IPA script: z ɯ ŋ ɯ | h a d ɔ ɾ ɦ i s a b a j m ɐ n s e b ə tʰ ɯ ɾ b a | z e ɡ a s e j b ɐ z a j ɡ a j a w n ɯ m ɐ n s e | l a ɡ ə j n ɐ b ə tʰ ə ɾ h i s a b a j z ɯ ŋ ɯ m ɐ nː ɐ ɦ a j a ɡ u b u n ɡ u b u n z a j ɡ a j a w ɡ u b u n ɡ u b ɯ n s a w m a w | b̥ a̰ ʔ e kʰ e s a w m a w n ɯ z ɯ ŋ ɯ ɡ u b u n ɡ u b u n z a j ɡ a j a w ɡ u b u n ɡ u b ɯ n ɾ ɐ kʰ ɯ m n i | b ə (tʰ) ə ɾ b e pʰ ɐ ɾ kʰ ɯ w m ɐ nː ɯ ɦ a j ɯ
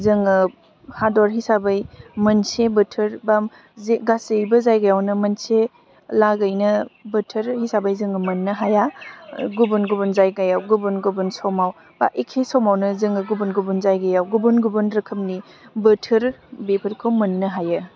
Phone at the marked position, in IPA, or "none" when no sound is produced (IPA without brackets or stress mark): tʰ